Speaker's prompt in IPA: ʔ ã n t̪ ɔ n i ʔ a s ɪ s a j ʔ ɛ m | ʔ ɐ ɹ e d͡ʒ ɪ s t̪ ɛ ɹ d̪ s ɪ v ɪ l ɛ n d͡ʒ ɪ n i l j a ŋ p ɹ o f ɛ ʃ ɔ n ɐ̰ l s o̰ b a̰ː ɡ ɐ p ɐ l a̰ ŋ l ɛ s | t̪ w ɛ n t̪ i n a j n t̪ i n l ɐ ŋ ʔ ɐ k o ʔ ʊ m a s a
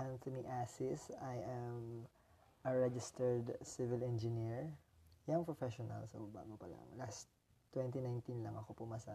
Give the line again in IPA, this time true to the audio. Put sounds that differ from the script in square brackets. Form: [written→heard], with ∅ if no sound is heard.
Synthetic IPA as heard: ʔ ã n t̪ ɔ n i ʔ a s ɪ s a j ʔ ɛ m | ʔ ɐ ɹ [e→ɛ] d͡ʒ ɪ s t̪ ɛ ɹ d̪ s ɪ v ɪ l ɛ n d͡ʒ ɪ n i [l→ɹ] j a ŋ p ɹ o f ɛ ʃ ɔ n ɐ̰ l s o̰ b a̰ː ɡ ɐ p ɐ l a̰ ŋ l [ɛ→a] s | t̪ w ɛ n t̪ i n a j n t̪ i n l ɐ ŋ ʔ ɐ k o [ʔ→p] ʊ m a s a